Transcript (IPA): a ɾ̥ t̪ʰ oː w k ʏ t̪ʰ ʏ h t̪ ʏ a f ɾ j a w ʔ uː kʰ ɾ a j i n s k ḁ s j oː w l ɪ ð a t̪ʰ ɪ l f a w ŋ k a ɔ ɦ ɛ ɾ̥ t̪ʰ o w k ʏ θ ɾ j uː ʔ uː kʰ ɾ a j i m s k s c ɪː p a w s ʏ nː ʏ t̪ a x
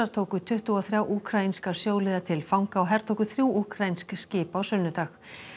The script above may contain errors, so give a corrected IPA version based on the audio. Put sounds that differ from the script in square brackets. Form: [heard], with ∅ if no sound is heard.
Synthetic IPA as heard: a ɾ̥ t̪ʰ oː w k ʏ t̪ʰ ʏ h t̪ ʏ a [θ] ɾ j a w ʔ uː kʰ ɾ a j i n s k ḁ s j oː w l ɪ ð a t̪ʰ ɪ l f a w ŋ k a ɔ ɦ ɛ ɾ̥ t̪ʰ o w k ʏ θ ɾ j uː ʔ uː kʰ ɾ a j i [n] s k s c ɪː p a w s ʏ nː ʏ t̪ a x